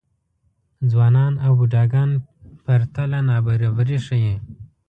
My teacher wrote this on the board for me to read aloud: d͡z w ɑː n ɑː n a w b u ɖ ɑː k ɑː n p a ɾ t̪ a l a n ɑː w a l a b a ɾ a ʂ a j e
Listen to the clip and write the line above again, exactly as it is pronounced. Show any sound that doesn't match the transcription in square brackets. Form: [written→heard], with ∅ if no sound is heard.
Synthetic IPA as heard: d͡z w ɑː n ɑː n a w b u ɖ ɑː [k→ɡ] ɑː n p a ɾ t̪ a l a n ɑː [w→b] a [l→ɾ] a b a ɾ [a→i] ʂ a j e